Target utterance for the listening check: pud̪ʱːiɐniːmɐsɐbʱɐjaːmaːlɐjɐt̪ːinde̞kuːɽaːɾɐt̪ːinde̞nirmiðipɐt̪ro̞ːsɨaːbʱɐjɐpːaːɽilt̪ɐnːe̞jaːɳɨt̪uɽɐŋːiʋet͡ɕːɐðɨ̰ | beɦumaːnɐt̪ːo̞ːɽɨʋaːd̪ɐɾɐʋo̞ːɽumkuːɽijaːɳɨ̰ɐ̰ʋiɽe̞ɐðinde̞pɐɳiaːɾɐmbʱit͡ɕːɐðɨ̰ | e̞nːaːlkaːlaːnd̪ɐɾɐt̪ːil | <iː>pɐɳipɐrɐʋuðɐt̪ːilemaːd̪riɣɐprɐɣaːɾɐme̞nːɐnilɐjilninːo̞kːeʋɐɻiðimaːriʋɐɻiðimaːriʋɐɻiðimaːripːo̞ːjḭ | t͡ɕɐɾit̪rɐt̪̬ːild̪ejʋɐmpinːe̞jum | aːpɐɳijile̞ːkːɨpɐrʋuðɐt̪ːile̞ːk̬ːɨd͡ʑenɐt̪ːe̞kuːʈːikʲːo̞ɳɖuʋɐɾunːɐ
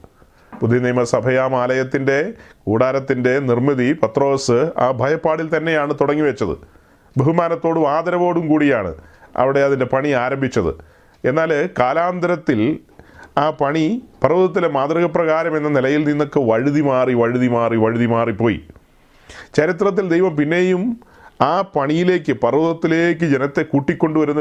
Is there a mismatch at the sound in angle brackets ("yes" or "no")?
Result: yes